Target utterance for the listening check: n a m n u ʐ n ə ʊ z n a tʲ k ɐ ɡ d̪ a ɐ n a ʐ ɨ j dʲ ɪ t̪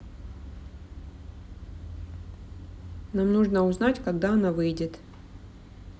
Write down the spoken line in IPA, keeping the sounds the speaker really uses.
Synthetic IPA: n a m n u ʐ n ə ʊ z n a tʲ k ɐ ɡ d̪ a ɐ n a v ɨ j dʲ ɪ t̪